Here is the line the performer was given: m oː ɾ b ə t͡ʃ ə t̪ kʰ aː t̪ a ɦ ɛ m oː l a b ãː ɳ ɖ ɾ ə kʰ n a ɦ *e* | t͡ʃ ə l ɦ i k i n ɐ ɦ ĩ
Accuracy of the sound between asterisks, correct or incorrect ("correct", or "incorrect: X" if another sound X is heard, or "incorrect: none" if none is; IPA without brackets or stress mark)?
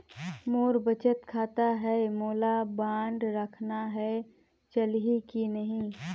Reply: incorrect: ɛ